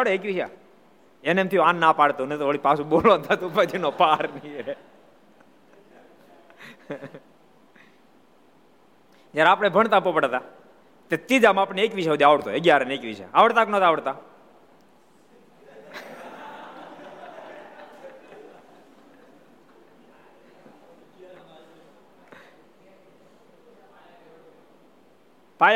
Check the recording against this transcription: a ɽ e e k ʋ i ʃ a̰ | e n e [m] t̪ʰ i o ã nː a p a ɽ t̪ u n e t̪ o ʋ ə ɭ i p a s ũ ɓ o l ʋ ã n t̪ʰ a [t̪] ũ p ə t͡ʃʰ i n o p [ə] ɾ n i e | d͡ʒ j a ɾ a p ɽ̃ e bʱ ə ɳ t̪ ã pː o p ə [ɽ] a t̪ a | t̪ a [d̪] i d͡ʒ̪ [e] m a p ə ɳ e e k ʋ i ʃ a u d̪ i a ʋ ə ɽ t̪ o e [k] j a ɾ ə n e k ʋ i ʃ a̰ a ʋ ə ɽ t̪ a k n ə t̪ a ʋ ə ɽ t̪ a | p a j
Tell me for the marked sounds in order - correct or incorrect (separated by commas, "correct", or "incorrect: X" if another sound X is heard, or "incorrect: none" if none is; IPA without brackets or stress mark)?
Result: correct, correct, incorrect: a, correct, incorrect: t̪, incorrect: a, incorrect: ɡ